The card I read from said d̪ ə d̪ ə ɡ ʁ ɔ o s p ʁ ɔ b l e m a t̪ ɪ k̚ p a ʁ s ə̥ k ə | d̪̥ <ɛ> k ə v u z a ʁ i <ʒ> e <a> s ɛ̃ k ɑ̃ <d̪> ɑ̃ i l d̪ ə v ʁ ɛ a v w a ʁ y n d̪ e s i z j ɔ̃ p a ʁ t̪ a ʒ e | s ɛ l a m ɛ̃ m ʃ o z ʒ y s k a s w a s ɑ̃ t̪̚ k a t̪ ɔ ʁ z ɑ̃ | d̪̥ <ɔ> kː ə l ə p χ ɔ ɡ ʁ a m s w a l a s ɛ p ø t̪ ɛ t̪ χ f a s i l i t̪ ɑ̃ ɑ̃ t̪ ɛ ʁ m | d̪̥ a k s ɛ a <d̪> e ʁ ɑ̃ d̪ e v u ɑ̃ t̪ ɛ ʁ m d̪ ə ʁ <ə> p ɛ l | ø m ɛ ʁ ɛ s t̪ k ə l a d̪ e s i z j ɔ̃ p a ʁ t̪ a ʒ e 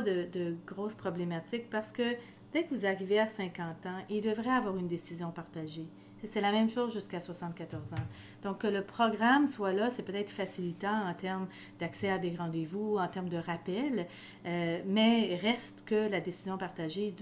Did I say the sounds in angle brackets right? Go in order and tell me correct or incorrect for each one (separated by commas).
correct, incorrect, correct, incorrect, incorrect, correct, incorrect